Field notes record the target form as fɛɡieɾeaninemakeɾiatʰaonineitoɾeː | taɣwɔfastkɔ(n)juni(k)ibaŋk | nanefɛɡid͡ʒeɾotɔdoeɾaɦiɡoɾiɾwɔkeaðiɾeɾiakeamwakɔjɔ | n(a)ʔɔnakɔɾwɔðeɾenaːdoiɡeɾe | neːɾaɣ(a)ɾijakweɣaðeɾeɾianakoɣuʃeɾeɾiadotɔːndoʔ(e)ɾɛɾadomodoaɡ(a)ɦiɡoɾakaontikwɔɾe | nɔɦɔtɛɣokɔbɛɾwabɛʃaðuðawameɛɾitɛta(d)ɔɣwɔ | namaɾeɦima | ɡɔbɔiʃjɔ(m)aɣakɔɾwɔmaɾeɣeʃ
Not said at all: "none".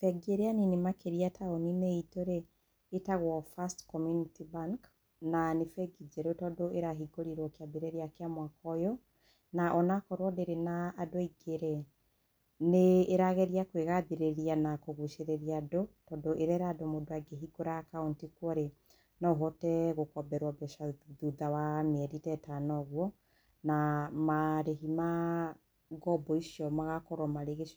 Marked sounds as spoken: m, t, a, ɛ, e, e, n, m

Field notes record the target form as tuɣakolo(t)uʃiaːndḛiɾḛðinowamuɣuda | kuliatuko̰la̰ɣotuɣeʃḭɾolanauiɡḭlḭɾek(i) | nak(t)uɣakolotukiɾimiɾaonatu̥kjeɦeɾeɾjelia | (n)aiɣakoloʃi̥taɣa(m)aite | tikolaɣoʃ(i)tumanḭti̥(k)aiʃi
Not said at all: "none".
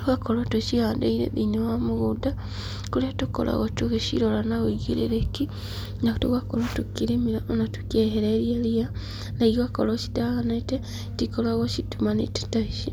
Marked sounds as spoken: t, i, t, n, n, i, t

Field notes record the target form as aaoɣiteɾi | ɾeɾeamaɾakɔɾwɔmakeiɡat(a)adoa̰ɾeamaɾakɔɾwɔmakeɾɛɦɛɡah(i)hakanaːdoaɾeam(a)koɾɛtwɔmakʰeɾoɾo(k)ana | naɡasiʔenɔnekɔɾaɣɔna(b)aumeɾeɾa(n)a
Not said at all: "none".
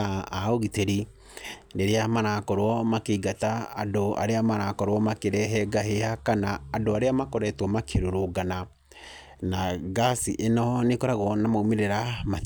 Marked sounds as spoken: a, e, a, ɡ, m, m

